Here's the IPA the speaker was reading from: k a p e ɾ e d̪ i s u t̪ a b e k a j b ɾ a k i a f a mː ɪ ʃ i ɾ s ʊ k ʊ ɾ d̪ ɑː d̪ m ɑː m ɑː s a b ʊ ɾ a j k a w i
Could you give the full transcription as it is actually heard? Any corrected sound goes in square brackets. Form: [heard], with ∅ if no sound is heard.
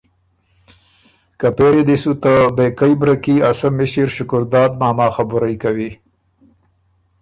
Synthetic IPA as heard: k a p e ɾ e d̪ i s u t̪ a b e k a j b ɾ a k i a [s] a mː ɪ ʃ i ɾ [ʃ] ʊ k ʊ ɾ d̪ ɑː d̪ m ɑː m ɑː [x] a b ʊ ɾ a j k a w i

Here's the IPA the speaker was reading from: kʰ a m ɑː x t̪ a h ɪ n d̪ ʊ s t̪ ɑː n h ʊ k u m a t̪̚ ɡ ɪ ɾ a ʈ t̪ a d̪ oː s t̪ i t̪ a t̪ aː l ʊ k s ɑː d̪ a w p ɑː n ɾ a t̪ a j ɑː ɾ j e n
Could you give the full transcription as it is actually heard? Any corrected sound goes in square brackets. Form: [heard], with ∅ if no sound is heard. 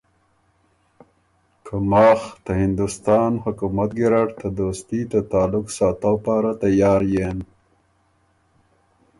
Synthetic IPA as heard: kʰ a m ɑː x t̪ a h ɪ n d̪ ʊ s t̪ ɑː n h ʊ k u m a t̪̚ ɡ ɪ ɾ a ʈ t̪ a d̪ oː s t̪ i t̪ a t̪ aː l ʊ k s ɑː [t̪] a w p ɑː [∅] ɾ a t̪ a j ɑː ɾ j e n

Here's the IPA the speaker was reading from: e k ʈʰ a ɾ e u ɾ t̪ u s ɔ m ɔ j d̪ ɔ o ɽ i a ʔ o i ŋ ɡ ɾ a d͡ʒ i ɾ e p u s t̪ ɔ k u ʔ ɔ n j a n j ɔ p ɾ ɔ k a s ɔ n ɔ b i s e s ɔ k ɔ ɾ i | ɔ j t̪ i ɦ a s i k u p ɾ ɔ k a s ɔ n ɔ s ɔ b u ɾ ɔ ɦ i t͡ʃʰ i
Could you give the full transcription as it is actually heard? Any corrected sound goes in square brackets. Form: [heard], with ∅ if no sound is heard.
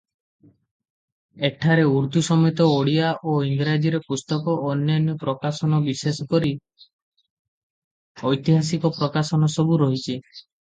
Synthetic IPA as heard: e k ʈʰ a ɾ e u ɾ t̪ u s ɔ m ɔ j [t̪] ɔ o ɽ i a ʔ o i ŋ ɡ ɾ a d͡ʒ i ɾ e p u s t̪ ɔ k [ɔ] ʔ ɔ n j a n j ɔ p ɾ ɔ k a s ɔ n ɔ b i s e s ɔ k ɔ ɾ i | ɔ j t̪ i ɦ a s i k [ɔ] p ɾ ɔ k a s ɔ n ɔ s ɔ b u ɾ ɔ ɦ i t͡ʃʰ i

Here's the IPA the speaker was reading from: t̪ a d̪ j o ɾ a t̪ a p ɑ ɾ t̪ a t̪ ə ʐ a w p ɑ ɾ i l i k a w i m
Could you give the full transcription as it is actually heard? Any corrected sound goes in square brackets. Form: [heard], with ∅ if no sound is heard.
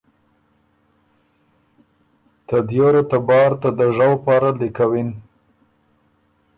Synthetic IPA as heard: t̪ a d̪ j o ɾ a t̪ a [b] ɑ ɾ t̪ a [d̪] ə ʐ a w p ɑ ɾ [a] l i k a w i [n]

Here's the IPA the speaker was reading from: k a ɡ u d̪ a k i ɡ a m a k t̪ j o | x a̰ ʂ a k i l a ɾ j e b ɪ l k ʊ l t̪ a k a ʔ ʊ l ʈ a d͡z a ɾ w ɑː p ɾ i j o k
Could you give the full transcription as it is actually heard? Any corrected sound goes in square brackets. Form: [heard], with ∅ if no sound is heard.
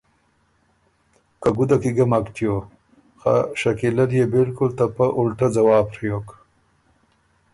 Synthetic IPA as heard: k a ɡ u d̪ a k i ɡ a m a k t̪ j o | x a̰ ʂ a k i l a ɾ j e b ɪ l k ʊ l t̪ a [p] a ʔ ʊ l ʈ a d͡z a [∅] w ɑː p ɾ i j o k

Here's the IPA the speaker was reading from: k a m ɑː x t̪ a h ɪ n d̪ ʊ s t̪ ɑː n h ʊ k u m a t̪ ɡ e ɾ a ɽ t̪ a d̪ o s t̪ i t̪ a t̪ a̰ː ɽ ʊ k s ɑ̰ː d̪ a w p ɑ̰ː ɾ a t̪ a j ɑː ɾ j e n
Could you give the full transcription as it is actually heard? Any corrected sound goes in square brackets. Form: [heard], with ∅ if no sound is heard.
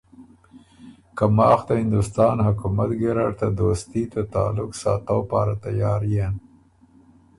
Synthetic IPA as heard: k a m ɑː x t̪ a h ɪ n d̪ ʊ s t̪ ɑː n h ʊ k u m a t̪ ɡ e ɾ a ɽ t̪ a d̪ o s t̪ i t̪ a t̪ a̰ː [l] ʊ k s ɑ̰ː [t̪] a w p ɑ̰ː ɾ a t̪ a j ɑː ɾ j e n

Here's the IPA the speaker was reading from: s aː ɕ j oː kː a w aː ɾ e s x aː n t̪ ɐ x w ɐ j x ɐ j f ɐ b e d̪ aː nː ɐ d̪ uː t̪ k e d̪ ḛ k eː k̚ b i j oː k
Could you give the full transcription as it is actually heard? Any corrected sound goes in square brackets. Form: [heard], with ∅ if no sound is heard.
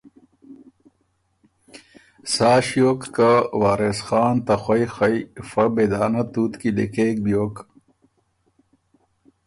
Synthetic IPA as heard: s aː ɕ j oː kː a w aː ɾ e s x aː n t̪ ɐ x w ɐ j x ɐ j f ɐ b e d̪ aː [n] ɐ [t̪] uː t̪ k [i] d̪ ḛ k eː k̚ b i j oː k

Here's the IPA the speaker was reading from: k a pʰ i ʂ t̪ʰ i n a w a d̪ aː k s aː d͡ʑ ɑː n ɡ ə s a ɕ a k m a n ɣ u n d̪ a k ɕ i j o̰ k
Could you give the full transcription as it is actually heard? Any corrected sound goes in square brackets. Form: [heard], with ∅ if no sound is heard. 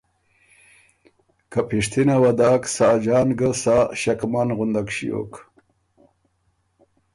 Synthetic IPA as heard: k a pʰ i ʂ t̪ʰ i n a w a d̪ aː k s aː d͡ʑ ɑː n ɡ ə s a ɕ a k m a n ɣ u n d̪ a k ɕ i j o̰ k

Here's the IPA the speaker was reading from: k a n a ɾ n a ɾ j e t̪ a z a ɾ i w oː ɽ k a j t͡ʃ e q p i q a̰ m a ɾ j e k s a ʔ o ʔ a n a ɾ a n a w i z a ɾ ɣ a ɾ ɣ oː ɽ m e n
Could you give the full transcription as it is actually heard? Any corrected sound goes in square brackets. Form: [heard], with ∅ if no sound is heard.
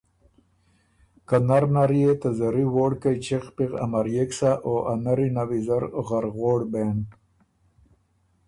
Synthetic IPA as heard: k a n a ɾ n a ɾ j e t̪ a z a ɾ i w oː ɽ k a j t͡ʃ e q p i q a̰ m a ɾ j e k s a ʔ o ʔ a n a ɾ [i] n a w i z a ɾ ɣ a ɾ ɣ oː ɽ [b] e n

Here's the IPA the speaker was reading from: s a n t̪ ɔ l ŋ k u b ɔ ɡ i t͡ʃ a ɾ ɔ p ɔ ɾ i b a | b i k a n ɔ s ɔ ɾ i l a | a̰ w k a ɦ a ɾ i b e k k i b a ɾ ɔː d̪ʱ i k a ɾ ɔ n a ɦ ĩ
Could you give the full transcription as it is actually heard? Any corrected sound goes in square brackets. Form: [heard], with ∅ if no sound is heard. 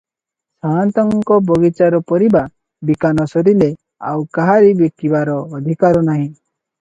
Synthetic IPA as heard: s a n t̪ ɔ [∅] ŋ k [ɔ] b ɔ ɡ i t͡ʃ a ɾ ɔ p ɔ ɾ i b a | b i k a n ɔ s ɔ ɾ i l [e] | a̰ w k a ɦ a ɾ i b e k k i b a ɾ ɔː d̪ʱ i k a ɾ ɔ n a ɦ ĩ

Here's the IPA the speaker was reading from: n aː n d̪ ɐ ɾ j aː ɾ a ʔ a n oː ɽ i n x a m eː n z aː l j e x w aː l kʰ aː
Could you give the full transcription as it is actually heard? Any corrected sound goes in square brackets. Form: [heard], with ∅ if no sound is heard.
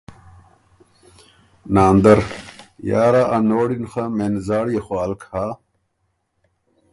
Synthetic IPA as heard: n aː n d̪ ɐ ɾ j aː ɾ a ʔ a n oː ɽ i n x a m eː n z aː [ɽ] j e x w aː l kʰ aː

